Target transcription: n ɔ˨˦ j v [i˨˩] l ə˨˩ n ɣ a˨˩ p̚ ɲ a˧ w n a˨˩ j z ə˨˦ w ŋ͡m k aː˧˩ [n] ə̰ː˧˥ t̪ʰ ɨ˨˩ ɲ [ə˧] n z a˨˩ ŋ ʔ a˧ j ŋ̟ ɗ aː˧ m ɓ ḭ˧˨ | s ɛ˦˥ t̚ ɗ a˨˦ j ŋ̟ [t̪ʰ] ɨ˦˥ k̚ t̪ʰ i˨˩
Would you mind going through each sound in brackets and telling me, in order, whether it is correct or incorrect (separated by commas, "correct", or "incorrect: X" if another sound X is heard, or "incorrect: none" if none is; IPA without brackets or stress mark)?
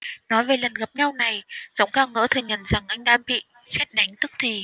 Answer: incorrect: e˨˩, incorrect: ŋ, incorrect: ə˨˩, incorrect: t̪